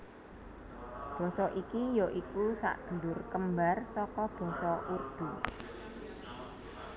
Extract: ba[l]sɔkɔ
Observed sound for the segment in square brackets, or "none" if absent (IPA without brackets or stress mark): r